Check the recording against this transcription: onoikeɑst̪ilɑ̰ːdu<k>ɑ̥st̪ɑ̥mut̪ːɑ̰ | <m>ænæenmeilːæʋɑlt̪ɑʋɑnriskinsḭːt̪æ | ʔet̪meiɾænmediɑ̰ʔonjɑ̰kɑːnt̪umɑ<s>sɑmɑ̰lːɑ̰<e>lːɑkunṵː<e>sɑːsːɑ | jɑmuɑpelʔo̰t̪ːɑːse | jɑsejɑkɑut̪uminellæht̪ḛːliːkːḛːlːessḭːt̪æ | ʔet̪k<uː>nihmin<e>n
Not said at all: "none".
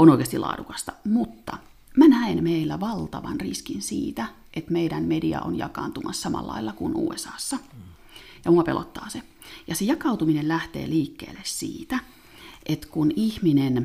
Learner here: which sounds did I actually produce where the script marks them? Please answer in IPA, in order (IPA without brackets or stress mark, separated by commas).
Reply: k, m, s, i, e, u, e